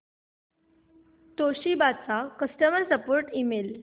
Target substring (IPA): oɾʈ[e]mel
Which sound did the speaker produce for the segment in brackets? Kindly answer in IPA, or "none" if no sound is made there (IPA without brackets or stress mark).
i